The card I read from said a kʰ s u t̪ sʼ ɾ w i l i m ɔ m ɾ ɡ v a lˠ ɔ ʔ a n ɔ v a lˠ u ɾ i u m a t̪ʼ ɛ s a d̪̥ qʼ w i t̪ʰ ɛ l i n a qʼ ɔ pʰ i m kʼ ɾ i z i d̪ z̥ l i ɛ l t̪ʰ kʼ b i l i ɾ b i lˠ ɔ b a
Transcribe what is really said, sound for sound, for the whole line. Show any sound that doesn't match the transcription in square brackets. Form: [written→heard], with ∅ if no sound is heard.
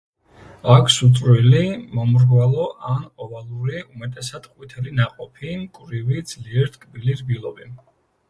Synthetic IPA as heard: a kʰ s u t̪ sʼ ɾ w i l i m ɔ m ɾ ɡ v a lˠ ɔ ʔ a n ɔ v a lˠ u ɾ i u m [a→ɛ] t̪ʼ ɛ s a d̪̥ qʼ w i t̪ʰ ɛ l i n a qʼ ɔ pʰ i m kʼ ɾ i [z→v] i d̪ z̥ l i ɛ [l→ɾ] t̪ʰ kʼ b i l i ɾ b i lˠ ɔ b [a→i]